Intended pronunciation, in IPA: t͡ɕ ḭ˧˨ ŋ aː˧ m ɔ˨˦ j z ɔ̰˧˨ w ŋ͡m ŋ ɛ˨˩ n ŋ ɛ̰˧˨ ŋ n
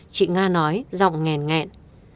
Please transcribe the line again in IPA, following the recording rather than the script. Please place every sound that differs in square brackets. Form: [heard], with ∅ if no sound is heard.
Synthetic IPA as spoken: t͡ɕ ḭ˧˨ ŋ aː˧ [n] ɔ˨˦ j z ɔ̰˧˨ w ŋ͡m ŋ ɛ˨˩ n ŋ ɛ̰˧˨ [∅] n